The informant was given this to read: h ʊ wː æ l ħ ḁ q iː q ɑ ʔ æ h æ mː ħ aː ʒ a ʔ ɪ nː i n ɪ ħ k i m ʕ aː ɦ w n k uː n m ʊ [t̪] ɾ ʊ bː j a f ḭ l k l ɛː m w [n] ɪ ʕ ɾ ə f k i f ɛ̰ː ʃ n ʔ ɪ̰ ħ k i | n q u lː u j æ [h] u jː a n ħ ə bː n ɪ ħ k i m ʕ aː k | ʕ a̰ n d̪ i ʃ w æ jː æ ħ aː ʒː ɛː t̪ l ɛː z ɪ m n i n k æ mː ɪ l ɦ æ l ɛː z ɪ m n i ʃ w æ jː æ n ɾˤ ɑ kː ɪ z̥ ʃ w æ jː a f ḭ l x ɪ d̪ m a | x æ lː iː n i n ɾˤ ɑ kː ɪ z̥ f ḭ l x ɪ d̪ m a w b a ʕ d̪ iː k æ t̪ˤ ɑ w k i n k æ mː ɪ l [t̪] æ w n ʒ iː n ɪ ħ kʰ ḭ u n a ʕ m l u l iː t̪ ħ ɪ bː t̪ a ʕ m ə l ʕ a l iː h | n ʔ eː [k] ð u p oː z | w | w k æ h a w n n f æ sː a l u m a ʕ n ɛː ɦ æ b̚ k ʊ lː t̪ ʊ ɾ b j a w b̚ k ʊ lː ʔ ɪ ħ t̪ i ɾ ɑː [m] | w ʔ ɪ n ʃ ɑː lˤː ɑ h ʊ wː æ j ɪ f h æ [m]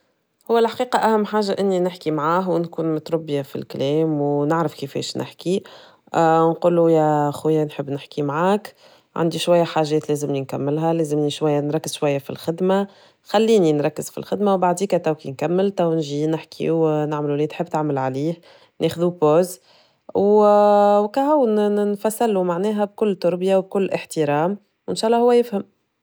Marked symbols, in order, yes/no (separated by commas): yes, yes, no, yes, no, yes, yes